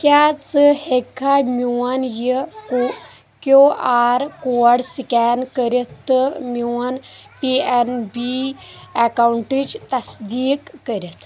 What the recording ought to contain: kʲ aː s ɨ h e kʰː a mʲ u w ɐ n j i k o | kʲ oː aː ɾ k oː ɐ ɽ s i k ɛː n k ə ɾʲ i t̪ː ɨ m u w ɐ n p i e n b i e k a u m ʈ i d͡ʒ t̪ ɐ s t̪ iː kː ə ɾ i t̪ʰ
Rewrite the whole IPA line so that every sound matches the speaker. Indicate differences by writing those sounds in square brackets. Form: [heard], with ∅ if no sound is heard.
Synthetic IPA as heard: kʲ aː [t͡s] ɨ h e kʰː a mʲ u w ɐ n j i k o | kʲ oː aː ɾ k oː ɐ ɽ s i k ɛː n k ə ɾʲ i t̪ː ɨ m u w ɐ n p i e n b i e k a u [ɳ] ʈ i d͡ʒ t̪ ɐ s [d̪] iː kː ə ɾ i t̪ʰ